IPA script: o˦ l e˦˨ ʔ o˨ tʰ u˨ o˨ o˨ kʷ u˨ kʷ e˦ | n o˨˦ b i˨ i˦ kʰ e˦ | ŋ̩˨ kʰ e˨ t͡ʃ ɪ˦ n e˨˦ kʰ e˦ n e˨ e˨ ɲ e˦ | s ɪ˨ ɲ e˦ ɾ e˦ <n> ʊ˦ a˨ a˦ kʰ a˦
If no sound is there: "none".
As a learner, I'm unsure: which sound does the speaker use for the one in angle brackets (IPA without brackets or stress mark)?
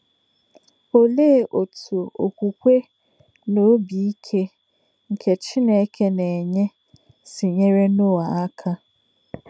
n